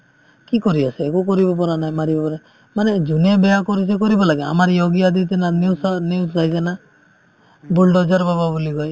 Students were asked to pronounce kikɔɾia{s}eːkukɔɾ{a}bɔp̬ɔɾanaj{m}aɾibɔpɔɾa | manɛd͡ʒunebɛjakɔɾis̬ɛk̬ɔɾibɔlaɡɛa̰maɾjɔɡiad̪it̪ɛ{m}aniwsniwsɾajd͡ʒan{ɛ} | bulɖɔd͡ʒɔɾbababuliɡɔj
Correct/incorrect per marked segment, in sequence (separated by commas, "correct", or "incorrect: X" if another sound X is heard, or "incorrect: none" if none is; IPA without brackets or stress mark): correct, incorrect: i, correct, incorrect: n, incorrect: a